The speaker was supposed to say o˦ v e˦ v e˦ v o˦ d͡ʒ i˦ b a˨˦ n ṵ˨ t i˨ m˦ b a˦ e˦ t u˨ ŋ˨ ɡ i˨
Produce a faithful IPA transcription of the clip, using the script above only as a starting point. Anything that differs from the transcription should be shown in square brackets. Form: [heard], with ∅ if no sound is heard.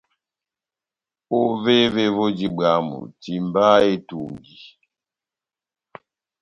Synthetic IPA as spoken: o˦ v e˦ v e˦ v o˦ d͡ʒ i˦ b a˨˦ [m] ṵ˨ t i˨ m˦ b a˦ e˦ t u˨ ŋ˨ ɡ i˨